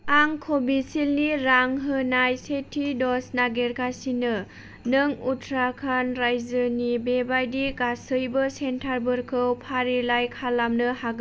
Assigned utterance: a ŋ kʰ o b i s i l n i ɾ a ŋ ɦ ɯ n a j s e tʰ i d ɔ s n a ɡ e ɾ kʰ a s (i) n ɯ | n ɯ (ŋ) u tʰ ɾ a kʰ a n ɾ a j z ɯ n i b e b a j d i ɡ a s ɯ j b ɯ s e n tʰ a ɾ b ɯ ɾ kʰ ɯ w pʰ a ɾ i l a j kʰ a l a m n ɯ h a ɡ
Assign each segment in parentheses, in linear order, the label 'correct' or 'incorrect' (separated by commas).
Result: correct, correct